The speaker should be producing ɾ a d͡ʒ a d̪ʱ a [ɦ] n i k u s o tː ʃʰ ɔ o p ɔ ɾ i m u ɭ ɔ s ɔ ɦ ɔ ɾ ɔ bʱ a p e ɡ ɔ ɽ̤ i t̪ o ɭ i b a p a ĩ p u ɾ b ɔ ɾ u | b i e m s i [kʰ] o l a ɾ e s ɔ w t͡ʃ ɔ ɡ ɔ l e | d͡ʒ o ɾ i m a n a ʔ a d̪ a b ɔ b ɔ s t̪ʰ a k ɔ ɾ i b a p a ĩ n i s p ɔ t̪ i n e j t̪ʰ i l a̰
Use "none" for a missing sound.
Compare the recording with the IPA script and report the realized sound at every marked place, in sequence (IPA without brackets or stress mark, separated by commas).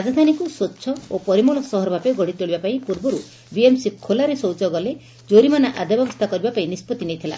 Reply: none, kʰ